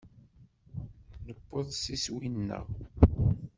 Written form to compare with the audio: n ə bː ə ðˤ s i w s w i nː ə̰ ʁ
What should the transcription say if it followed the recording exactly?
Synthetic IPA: n ə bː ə ðˤ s i s w i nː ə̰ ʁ

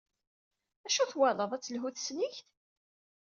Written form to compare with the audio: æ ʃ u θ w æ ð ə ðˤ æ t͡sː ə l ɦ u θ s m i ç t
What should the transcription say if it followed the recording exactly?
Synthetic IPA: æ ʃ u θ w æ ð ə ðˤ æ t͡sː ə l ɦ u θ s n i ç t

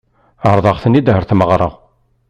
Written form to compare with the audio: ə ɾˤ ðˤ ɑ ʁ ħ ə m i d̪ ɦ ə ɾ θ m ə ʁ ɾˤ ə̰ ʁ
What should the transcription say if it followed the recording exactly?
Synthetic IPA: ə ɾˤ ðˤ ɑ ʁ θ ə n i d̪ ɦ ə ɾ θ m ə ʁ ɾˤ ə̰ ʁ

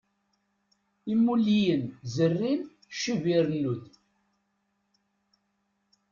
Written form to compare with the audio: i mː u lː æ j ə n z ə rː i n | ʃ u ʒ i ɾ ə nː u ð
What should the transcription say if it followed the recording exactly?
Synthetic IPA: i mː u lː i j ə n z ə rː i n | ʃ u v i ɾ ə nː u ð

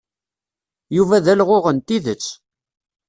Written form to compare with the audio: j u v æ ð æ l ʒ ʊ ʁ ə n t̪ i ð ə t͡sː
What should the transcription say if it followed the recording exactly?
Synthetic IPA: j u v æ ð æ l ʁ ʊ ʁ ə n t̪ i ð ə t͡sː

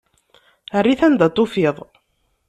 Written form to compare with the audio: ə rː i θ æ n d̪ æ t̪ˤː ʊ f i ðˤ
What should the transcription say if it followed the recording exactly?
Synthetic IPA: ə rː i θ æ n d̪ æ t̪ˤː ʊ f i ðˤ

